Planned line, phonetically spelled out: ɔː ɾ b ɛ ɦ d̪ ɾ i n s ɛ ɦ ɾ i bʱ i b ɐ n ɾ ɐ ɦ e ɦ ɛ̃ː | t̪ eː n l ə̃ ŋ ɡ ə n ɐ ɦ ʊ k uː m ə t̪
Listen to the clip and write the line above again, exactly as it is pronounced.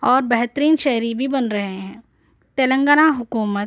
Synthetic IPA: ɔː ɾ b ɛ ɦ t̪ ɾ iː n ʃ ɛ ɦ ɾ i bʱ i b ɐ n ɾ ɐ ɦ e ɦ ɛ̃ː | t̪ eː l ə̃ ŋ ɡ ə n a ɦ ʊ k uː m ə t̪

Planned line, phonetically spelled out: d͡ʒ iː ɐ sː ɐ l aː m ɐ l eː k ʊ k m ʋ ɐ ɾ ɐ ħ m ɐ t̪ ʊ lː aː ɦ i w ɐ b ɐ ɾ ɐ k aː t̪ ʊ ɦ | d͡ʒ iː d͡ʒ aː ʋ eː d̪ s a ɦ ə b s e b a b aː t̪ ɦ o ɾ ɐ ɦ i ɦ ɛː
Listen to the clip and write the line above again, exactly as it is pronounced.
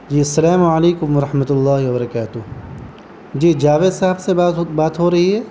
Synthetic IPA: d͡ʒ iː ɐ sː ɐ l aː m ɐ l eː k ʊ m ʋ ɐ ɾ ɐ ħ m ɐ t̪ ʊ lː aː ɦ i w ɐ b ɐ ɾ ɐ k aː t̪ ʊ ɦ | d͡ʒ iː d͡ʒ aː ʋ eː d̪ s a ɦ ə b s e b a b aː t̪ ɦ o ɾ ɐ ɦ i ɦ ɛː

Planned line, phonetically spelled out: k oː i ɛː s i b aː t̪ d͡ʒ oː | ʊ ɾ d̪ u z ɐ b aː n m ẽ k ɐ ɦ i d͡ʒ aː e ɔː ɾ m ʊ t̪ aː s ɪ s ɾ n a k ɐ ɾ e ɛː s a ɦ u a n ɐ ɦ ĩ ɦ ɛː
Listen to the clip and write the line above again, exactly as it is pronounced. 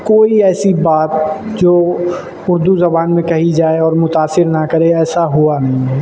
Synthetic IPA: k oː i ɛː s i b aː t̪ d͡ʒ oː | ʊ ɾ d̪ u z ɐ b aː n m ẽ k ɐ ɦ i d͡ʒ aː e ɔː ɾ m ʊ t̪ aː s ɪ ɾ n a k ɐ ɾ e ɛː s a ɦ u a n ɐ ɦ ĩ ɦ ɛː

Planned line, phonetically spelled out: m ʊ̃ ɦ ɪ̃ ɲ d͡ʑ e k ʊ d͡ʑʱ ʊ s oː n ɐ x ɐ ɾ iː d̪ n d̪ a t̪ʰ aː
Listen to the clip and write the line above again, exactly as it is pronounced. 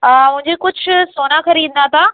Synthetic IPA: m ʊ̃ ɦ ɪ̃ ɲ d͡ʑ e k ʊ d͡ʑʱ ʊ s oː n a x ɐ ɾ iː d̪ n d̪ a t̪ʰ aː

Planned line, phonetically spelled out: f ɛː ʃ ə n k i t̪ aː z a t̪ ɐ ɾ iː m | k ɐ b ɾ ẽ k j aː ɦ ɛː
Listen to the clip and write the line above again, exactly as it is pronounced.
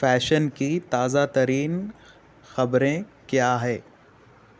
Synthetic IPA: f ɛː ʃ ə n k i t̪ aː z a t̪ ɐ ɾ iː n | x ɐ b ɾ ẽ k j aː ɦ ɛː

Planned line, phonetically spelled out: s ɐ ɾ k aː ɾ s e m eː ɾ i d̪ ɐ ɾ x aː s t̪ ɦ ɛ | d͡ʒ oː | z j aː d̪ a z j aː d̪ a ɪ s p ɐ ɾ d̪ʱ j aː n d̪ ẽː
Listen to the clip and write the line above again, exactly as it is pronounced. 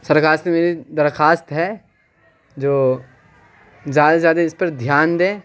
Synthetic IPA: s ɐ ɾ k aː ɾ s e m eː ɾ i d̪ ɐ ɾ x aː s t̪ ɦ ɛ | d͡ʒ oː | z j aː d̪ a z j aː d̪ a ɪ s p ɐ ɾ d̪ʱ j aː n d̪ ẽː

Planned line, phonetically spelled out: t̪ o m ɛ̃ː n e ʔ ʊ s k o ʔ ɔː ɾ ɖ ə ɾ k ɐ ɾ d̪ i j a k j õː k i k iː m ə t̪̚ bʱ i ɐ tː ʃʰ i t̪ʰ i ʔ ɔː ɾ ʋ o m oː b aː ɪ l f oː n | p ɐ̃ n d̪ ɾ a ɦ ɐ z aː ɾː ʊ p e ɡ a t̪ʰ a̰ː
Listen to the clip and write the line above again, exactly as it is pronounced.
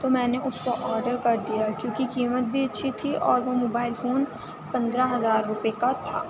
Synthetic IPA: t̪ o m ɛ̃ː n e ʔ ʊ s k o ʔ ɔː ɾ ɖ ə ɾ k ɐ ɾ d̪ i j a k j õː k i k iː m ə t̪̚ bʱ i ɐ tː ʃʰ i t̪ʰ i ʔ ɔː ɾ ʋ o m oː b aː ɪ l f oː n | p ɐ̃ n d̪ ɾ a ɦ ɐ z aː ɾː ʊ p e k a t̪ʰ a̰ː

